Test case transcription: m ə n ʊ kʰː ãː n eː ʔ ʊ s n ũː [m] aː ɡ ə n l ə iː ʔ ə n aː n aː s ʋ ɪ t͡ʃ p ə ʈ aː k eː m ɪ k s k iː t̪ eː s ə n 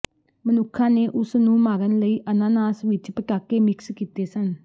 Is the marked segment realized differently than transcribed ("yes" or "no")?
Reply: no